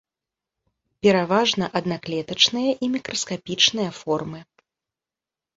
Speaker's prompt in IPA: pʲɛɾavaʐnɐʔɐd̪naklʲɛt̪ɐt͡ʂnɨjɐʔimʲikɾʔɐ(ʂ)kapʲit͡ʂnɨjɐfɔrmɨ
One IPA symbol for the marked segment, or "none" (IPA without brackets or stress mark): s